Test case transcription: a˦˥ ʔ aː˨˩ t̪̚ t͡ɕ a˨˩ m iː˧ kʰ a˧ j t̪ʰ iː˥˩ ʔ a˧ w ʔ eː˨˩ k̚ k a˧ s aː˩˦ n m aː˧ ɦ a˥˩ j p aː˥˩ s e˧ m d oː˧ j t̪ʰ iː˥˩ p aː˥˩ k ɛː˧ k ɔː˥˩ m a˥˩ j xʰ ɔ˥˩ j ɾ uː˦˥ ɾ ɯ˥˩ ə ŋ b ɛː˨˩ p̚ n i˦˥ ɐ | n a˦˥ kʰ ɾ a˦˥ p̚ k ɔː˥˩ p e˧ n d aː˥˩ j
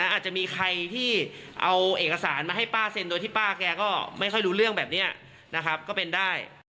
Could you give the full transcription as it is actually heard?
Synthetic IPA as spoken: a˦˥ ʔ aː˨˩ t̪̚ t͡ɕ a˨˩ m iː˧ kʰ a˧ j t̪ʰ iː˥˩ ʔ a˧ w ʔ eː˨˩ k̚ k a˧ s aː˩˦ n m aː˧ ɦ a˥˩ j p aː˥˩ s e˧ n d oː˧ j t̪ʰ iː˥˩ p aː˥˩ k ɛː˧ k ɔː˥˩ m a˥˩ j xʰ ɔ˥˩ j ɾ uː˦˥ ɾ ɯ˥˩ ə ŋ b ɛː˨˩ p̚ n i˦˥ ɐ | n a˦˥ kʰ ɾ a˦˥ p̚ k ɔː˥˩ p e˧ n d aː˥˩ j